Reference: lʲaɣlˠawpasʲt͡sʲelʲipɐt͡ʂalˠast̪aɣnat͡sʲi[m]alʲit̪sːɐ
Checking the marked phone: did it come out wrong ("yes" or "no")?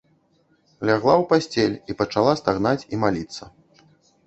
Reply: no